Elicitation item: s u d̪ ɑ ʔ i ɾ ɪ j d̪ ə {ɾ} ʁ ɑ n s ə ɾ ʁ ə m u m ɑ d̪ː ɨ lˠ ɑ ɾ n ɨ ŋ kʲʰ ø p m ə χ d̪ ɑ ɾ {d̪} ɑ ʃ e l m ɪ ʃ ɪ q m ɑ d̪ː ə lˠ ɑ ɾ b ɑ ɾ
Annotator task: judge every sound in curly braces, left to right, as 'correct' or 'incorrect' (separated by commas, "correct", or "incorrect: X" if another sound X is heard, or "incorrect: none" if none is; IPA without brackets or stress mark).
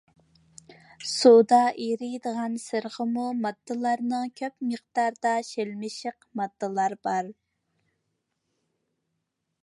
incorrect: none, correct